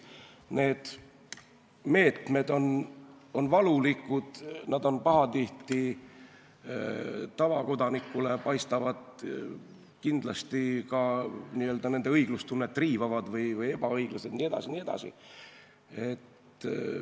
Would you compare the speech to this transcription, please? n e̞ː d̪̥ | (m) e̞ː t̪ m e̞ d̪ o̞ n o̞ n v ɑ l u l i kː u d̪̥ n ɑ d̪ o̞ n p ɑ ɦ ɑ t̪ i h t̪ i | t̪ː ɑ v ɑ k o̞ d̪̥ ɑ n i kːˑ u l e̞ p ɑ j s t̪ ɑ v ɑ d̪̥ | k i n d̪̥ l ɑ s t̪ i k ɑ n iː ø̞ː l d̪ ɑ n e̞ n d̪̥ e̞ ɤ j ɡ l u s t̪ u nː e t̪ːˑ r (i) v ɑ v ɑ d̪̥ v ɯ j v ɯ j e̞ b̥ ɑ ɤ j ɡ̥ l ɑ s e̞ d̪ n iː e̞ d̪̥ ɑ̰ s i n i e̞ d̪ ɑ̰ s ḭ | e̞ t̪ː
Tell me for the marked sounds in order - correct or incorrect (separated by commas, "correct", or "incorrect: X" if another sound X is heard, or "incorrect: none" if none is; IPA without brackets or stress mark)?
correct, incorrect: iː